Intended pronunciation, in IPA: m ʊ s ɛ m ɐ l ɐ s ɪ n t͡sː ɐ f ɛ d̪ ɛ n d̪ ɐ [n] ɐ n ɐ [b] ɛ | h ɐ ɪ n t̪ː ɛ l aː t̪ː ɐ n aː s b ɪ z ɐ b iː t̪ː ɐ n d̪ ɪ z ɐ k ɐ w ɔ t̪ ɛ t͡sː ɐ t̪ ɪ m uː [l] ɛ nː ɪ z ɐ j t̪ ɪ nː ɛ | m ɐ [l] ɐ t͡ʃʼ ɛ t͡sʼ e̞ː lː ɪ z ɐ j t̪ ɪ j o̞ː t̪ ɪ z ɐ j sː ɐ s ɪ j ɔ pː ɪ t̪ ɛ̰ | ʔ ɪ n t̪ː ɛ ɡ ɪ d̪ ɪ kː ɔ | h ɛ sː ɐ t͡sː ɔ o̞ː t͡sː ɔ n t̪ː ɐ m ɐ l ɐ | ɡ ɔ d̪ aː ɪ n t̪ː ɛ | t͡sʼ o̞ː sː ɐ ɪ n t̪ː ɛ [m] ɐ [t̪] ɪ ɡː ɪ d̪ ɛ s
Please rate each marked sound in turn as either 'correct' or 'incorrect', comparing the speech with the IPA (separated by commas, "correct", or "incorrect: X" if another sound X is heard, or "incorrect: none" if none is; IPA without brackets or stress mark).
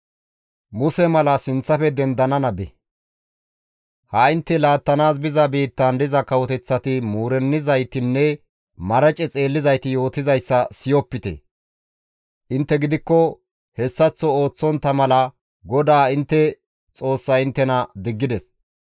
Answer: correct, correct, incorrect: ɾ, incorrect: ɾ, incorrect: n, incorrect: d̪